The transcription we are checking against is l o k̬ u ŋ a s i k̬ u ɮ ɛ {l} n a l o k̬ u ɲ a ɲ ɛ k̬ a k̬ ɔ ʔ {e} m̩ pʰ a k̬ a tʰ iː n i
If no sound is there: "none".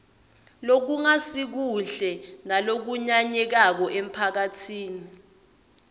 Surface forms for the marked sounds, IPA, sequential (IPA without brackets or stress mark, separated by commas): none, e